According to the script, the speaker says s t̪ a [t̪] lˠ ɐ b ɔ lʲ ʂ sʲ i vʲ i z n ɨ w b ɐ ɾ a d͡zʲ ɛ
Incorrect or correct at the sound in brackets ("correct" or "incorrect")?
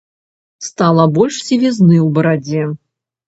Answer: incorrect